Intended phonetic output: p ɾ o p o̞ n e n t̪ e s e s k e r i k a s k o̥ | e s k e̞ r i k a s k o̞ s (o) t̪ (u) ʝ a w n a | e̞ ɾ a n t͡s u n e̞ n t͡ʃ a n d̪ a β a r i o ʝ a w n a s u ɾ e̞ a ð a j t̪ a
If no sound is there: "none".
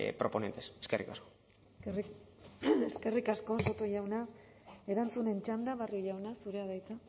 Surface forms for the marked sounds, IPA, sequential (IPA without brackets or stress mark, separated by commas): o, o